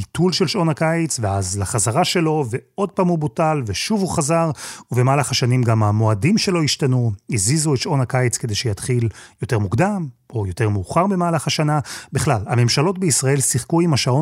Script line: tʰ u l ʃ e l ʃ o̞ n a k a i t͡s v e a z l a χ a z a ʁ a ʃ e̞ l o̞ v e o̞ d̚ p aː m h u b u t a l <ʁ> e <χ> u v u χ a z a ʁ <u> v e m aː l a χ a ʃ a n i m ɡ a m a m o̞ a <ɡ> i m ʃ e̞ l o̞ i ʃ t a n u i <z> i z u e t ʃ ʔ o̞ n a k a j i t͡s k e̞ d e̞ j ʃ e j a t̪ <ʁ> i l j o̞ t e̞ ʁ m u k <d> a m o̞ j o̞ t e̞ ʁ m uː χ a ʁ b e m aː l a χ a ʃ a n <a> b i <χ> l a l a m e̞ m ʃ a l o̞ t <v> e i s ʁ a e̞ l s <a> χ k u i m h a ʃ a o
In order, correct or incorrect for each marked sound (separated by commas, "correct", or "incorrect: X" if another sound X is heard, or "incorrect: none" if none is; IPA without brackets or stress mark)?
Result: incorrect: v, incorrect: ʃ, correct, incorrect: d, correct, incorrect: χ, correct, correct, correct, incorrect: b, incorrect: i